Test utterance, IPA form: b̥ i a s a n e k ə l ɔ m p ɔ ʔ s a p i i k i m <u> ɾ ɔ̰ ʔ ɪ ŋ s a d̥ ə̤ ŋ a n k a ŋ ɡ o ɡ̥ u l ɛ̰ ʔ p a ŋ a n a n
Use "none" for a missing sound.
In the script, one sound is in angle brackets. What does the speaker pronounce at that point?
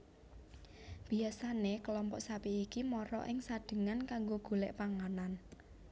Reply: ɔ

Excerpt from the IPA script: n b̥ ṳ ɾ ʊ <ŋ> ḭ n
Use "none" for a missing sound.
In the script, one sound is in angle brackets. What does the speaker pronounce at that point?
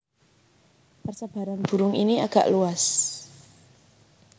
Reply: ŋ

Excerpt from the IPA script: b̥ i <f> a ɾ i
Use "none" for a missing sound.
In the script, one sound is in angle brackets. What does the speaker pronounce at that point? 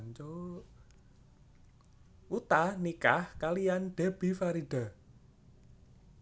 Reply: f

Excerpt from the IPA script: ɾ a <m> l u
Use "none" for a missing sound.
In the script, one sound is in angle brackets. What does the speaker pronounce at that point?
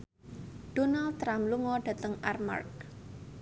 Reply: m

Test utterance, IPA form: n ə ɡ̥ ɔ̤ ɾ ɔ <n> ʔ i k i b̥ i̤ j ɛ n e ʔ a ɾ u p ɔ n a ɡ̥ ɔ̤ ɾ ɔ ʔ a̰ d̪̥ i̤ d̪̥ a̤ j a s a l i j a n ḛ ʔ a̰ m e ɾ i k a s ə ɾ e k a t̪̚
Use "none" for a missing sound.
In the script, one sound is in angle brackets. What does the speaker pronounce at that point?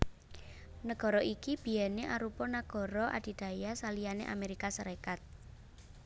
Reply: none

